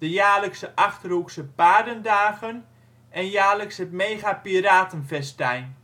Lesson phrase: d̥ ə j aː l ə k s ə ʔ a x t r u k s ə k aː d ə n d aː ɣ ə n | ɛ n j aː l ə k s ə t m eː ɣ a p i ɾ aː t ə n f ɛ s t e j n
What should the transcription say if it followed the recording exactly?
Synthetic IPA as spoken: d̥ ə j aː l ə k s ə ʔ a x t r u k s ə p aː d ə n d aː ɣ ə n | ɛ n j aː l ə k s ə t m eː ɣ a p i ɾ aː t ə n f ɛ s t ɛ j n